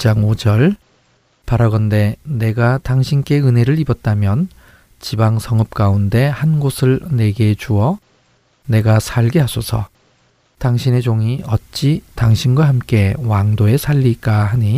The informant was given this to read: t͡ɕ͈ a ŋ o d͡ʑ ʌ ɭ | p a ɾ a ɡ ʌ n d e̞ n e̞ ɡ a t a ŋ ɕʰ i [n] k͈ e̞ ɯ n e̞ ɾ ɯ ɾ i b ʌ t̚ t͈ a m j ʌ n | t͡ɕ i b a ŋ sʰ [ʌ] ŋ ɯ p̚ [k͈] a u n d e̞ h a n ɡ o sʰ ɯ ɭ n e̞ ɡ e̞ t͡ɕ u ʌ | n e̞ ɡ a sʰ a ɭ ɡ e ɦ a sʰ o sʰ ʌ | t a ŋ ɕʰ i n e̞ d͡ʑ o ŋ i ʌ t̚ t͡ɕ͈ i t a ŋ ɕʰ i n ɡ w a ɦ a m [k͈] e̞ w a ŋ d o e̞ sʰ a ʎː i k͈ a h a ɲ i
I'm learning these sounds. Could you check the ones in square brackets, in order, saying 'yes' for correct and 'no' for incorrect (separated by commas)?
yes, yes, yes, yes